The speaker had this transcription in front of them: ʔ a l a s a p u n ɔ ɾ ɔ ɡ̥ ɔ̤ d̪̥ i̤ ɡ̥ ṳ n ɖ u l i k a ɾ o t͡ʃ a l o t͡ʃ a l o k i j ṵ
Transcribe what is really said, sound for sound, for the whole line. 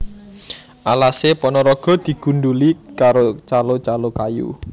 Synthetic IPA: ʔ a l a s e p ɔ n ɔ ɾ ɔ ɡ̥ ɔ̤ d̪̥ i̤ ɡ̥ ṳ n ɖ u l i k a ɾ o t͡ʃ a l o t͡ʃ a l o k a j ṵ